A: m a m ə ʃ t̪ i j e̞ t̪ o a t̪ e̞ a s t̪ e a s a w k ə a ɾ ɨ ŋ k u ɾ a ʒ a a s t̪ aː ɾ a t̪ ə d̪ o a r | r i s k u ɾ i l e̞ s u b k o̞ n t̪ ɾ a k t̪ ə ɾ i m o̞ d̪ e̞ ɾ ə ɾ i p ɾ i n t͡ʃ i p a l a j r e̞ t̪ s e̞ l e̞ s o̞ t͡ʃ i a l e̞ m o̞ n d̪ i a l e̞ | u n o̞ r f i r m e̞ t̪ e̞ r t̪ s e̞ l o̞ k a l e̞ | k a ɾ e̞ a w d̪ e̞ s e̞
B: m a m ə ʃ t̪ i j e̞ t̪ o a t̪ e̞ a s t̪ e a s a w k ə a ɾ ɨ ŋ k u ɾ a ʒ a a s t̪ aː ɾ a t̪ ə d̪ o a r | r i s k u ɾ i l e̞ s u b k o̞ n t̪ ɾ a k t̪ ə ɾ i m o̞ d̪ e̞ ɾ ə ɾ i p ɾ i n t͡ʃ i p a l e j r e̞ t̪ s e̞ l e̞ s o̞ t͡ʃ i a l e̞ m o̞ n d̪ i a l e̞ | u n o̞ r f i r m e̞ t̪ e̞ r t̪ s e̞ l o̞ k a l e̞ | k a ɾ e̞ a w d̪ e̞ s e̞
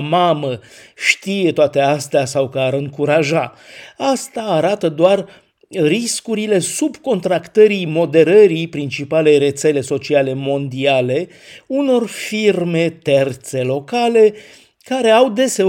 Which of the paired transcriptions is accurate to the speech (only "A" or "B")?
B